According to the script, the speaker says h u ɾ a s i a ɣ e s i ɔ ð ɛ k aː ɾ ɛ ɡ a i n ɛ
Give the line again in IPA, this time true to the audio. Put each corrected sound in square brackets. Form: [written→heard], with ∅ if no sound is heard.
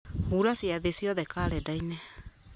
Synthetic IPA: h u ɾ a s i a [ɣ→ð] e s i ɔ ð ɛ k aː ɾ ɛ [ɡ→d] a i n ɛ